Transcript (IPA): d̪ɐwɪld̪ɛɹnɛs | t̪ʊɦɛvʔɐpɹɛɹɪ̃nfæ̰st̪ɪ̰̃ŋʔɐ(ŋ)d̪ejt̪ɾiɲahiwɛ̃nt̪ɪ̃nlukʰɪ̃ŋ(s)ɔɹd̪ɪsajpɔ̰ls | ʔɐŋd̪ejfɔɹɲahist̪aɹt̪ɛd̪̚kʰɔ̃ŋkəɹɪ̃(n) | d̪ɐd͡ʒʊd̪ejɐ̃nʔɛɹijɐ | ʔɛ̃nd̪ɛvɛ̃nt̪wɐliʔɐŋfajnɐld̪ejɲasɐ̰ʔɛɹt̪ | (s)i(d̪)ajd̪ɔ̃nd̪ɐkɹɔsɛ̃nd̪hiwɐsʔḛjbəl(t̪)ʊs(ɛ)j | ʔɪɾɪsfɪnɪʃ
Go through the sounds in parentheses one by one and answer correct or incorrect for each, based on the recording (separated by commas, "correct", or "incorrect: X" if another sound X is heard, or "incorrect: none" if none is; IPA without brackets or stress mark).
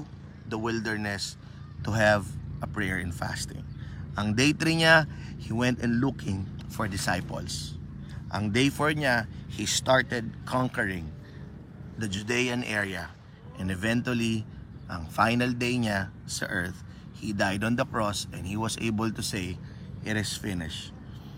correct, incorrect: f, incorrect: ŋ, incorrect: h, correct, correct, incorrect: e